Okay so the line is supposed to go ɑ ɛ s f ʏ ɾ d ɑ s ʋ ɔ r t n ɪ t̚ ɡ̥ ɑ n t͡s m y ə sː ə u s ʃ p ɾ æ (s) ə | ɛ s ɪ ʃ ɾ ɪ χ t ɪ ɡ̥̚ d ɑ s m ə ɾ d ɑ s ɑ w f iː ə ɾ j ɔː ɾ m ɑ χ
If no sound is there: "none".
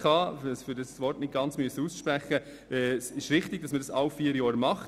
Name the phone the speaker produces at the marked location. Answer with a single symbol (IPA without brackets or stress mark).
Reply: χ